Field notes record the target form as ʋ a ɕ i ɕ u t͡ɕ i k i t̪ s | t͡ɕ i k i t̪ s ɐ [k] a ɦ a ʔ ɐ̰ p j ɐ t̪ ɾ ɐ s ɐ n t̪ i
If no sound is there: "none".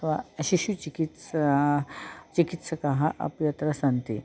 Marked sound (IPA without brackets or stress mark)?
k